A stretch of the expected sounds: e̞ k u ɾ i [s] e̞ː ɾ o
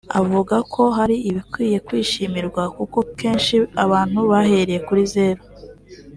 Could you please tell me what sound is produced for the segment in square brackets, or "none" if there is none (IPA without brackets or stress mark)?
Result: z